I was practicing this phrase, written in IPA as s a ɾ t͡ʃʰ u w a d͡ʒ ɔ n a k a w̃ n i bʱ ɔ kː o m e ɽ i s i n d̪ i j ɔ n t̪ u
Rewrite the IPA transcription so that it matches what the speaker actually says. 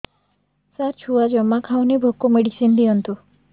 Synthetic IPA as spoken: s a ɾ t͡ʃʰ u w a d͡ʒ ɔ m a kʰ a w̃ n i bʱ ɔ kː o m e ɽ i s i n d̪ i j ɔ n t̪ u